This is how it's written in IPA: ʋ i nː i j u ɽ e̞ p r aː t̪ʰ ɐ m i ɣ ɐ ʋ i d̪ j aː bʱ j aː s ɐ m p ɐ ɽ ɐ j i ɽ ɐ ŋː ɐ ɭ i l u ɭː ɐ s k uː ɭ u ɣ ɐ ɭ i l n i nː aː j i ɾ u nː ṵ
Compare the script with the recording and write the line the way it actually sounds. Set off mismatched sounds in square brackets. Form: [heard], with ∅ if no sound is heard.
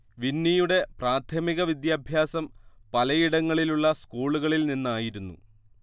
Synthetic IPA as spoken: ʋ i nː i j u ɽ e̞ p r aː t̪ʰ ɐ m i ɣ ɐ ʋ i d̪ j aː bʱ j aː s ɐ m p ɐ [l] ɐ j i ɽ ɐ ŋː ɐ ɭ i l u ɭː ɐ s k uː ɭ u ɣ ɐ ɭ i l n i nː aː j i ɾ u nː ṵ